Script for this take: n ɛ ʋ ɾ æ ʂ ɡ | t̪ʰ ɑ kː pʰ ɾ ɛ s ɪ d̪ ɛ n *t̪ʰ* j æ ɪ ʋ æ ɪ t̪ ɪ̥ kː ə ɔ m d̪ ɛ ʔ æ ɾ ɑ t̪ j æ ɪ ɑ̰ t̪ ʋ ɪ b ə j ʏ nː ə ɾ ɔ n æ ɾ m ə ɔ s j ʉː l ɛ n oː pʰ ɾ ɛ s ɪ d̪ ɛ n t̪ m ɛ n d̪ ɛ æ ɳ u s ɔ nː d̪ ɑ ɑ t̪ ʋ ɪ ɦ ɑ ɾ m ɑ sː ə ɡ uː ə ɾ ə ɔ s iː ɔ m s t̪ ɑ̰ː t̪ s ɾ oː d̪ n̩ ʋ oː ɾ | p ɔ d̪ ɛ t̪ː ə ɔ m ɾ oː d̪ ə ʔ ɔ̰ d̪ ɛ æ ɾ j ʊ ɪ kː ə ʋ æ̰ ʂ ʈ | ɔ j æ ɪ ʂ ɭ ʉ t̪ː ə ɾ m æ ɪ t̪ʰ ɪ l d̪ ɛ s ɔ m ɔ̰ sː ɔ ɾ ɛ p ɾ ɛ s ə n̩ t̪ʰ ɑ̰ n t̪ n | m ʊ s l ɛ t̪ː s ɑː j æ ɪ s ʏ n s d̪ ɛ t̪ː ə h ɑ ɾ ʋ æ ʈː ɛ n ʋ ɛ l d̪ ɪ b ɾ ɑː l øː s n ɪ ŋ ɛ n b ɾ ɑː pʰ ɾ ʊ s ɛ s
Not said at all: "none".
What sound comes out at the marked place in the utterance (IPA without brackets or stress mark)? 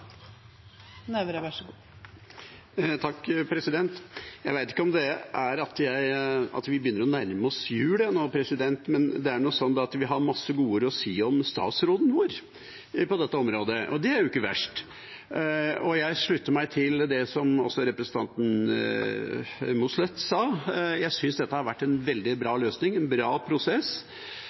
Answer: t̪